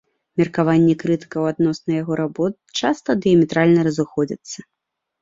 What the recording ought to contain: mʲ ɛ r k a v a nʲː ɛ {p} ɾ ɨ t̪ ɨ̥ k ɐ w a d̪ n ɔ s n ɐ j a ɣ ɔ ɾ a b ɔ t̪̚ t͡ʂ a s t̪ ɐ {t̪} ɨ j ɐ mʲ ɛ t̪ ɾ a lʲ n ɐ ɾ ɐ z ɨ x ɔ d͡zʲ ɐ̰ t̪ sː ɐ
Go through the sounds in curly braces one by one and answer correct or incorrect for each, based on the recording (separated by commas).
incorrect, incorrect